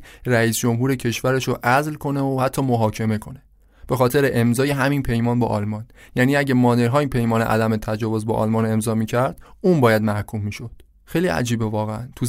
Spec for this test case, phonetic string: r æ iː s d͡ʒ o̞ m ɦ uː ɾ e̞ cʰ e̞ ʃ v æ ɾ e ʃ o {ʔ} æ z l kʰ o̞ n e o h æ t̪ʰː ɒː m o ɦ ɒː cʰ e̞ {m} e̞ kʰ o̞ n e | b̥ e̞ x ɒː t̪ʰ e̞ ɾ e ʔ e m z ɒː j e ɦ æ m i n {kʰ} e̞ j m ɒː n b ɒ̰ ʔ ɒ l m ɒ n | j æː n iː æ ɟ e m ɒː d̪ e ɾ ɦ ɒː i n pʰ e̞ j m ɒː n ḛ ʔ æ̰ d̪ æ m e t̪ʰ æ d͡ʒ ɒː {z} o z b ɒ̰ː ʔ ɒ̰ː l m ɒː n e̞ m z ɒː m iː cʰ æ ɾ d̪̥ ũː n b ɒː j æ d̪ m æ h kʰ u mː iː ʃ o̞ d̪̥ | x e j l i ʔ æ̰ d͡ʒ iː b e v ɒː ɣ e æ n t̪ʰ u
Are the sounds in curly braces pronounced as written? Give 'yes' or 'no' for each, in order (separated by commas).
yes, yes, no, no